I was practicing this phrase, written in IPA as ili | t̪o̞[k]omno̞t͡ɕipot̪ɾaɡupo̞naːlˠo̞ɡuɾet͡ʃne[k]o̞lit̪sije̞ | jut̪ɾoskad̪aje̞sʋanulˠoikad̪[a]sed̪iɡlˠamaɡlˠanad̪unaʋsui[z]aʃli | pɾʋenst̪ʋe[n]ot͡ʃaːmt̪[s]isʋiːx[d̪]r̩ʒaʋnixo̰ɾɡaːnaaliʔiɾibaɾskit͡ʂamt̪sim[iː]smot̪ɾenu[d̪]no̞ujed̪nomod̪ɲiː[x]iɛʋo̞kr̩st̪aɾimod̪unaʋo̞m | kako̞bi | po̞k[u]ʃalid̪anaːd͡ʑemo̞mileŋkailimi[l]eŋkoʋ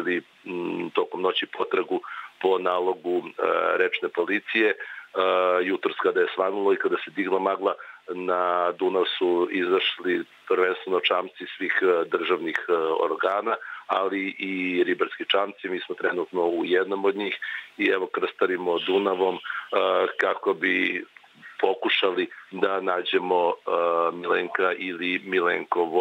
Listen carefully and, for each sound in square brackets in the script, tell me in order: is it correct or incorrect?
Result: correct, incorrect: p, correct, correct, correct, correct, correct, correct, incorrect: t̪, correct, correct, correct

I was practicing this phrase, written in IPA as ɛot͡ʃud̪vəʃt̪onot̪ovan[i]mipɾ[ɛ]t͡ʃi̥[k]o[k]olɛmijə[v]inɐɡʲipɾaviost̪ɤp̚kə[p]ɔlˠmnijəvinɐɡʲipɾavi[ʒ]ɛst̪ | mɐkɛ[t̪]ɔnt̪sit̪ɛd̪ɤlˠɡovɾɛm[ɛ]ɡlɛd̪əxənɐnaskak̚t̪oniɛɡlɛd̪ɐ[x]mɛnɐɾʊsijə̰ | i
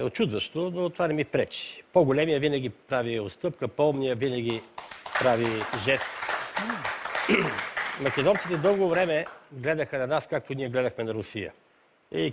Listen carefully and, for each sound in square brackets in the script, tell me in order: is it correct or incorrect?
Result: incorrect: ɛ, correct, incorrect: p, incorrect: ɡ, correct, correct, correct, incorrect: d̪, correct, correct

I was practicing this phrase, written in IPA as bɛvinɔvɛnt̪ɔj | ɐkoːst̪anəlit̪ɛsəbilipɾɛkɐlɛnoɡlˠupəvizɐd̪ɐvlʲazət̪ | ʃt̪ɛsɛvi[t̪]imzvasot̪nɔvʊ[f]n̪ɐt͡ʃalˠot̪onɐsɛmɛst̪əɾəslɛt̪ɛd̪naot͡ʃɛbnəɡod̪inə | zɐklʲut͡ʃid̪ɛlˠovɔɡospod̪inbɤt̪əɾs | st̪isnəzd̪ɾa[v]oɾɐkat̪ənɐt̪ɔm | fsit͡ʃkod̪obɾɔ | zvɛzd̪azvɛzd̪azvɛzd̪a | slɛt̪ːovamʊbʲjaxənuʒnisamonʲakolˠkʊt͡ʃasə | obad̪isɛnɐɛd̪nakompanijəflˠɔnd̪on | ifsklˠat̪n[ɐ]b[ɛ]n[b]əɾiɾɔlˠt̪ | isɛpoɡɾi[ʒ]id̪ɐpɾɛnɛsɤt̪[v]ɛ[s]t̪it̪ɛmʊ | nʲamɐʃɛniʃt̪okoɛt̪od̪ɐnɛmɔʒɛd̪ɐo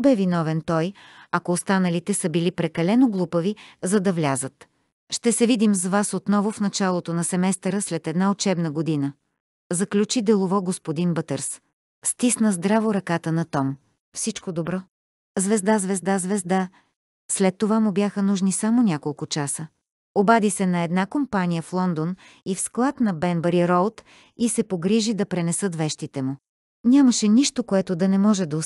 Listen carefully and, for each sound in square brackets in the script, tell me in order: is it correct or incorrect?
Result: incorrect: d̪, correct, correct, correct, correct, correct, correct, correct, incorrect: ʃ

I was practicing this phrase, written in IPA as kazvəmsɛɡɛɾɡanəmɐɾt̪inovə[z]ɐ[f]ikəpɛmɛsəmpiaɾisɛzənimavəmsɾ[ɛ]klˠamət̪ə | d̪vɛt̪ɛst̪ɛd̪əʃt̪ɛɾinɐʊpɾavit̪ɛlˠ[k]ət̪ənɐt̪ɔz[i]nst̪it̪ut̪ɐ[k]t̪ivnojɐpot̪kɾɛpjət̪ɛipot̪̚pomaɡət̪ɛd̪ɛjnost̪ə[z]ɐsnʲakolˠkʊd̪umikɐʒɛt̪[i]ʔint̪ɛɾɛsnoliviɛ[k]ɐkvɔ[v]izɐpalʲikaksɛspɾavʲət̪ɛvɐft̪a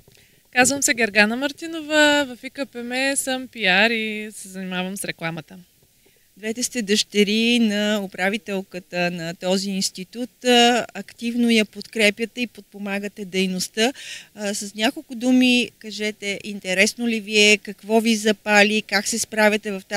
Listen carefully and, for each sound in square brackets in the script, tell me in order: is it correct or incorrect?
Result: incorrect: v, correct, correct, correct, incorrect: iː, correct, incorrect: s, incorrect: ɛ, correct, correct

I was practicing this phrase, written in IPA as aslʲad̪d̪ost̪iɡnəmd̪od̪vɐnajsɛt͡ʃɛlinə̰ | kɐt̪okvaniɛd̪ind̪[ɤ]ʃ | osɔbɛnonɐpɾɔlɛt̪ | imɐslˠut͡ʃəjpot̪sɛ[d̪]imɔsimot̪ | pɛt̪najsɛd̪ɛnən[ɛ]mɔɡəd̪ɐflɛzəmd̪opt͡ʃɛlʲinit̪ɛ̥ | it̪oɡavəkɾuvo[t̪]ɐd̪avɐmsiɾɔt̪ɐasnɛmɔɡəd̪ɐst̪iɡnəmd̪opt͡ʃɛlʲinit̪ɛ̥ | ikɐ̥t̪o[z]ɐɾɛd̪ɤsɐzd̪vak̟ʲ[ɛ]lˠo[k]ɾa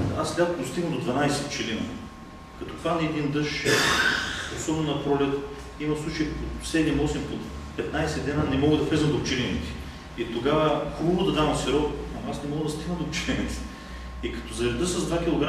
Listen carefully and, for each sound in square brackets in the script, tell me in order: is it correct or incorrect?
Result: correct, correct, correct, incorrect: d̪, correct, incorrect: i, incorrect: ɡ

